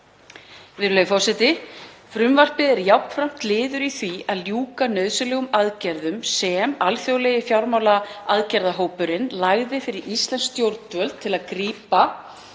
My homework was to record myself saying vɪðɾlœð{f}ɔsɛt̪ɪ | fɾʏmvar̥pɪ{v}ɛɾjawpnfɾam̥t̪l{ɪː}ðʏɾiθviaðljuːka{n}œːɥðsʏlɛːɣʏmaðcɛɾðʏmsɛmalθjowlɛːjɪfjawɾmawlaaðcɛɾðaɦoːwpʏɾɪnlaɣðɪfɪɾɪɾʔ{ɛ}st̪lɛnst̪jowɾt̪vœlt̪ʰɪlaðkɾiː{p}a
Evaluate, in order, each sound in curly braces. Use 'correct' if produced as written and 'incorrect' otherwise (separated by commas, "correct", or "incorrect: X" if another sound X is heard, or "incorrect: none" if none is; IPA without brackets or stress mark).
correct, incorrect: ð, correct, correct, incorrect: i, correct